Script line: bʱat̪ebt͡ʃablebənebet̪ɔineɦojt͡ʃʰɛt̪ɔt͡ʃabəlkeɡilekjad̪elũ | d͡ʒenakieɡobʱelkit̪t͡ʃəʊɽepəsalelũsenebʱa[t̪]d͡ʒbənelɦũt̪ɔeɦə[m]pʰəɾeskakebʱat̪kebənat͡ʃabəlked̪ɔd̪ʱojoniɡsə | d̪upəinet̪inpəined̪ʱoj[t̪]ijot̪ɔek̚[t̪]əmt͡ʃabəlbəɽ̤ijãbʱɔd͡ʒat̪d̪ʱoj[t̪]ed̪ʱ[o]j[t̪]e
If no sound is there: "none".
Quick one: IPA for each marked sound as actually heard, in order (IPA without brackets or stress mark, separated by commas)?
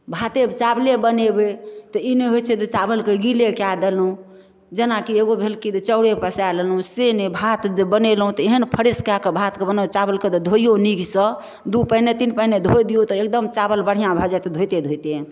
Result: t̪, n, d̪, d̪, t̪, o, t̪